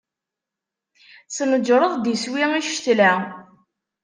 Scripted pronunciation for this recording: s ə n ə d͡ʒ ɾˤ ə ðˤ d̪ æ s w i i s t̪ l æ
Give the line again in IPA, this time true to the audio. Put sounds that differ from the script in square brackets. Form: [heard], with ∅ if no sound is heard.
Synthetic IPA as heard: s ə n ə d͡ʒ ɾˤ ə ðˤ d̪ [i] s w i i [ʃ] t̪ l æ